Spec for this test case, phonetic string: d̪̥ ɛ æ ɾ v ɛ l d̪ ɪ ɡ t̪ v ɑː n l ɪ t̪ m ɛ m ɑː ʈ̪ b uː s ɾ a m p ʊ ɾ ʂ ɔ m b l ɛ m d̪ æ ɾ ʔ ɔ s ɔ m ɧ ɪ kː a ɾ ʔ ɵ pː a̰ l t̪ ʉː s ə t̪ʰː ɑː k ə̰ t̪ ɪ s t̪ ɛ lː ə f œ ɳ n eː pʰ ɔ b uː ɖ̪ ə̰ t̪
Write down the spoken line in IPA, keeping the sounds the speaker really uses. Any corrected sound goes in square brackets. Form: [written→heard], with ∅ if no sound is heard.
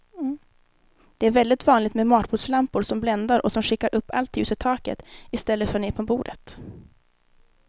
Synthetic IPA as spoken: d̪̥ ɛ æ ɾ v ɛ l d̪ ɪ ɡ t̪ v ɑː n l ɪ t̪ m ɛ m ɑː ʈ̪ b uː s [ɾ→l] a m p ʊ ɾ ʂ ɔ m b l ɛ [m→n] d̪ [æ→a] ɾ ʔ ɔ s ɔ m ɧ ɪ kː a ɾ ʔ ɵ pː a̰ l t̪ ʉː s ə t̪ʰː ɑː k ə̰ t̪ ɪ s t̪ ɛ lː ə f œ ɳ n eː pʰ ɔ b uː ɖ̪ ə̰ t̪